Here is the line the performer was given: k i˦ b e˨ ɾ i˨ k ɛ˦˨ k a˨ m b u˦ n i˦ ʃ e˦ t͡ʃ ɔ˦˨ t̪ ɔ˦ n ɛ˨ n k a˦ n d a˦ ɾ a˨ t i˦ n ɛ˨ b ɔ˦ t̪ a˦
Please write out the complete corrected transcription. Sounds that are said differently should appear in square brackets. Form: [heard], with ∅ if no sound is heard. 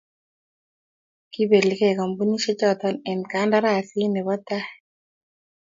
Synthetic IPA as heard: k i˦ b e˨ [l] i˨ k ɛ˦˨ k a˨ m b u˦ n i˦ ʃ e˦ t͡ʃ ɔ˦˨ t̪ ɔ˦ n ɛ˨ n k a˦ n d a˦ ɾ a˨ [s] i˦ n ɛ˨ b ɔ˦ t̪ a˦